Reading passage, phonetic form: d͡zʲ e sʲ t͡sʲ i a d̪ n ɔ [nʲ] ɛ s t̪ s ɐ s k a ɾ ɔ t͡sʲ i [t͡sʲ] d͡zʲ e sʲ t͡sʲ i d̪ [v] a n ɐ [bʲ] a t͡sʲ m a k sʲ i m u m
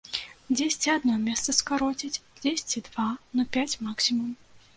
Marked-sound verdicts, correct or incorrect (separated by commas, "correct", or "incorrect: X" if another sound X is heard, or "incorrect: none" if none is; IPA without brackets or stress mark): incorrect: mʲ, correct, correct, incorrect: pʲ